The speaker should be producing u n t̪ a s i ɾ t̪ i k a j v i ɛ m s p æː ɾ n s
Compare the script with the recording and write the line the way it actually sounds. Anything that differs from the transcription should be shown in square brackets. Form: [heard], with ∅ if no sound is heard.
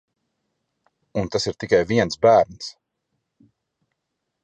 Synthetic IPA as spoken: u n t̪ a s i ɾ t̪ i k a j v i ɛ [n] s [b] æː ɾ n s